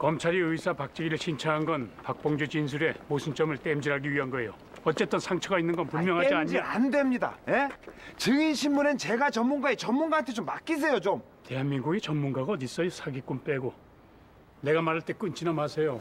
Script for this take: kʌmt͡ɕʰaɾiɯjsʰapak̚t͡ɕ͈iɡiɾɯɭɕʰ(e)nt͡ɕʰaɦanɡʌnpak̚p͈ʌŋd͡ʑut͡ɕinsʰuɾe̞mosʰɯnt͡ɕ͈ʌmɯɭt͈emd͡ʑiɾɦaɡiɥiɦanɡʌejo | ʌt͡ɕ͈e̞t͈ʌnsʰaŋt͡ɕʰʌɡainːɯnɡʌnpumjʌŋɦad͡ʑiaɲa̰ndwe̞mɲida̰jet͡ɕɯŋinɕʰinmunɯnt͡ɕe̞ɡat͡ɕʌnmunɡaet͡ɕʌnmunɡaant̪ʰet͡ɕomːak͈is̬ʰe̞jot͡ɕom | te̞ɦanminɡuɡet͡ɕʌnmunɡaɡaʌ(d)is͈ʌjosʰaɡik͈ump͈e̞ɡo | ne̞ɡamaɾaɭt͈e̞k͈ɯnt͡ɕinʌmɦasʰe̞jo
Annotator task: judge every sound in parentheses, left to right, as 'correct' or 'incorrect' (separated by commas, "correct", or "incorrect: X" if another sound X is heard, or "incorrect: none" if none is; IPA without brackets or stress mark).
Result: incorrect: i, correct